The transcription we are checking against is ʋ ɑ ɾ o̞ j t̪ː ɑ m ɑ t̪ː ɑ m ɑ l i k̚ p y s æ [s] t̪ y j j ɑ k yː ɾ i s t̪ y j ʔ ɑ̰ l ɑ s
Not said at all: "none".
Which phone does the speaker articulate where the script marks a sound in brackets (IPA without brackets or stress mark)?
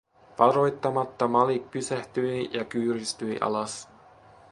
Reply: h